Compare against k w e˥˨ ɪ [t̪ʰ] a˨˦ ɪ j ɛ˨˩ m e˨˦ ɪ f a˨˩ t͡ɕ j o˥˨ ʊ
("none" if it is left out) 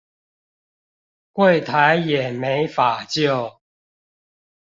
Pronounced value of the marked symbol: t̪ʰ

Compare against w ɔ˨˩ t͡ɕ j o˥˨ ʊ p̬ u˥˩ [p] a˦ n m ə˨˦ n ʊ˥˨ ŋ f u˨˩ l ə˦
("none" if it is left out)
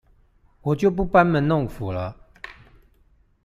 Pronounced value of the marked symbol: p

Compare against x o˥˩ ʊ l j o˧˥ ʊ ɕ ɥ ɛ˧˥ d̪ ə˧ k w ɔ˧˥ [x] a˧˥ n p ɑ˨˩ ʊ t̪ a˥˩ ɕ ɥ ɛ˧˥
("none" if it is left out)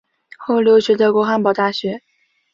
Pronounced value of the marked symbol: x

